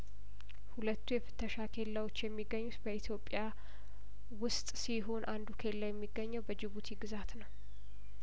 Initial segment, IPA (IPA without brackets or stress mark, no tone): h